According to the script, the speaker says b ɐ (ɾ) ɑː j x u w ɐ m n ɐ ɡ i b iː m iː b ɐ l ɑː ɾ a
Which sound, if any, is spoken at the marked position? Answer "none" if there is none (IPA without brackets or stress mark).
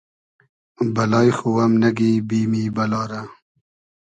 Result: l